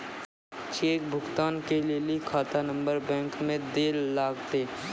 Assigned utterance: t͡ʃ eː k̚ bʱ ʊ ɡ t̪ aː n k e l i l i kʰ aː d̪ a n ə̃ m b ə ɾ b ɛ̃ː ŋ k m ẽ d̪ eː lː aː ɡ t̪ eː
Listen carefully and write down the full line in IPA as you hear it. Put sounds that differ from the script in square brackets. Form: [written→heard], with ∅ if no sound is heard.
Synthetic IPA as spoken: t͡ʃ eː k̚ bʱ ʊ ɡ t̪ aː n k e l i l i kʰ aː [d̪→t̪] a n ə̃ m b ə ɾ b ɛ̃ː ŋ k m ẽ d̪ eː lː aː ɡ t̪ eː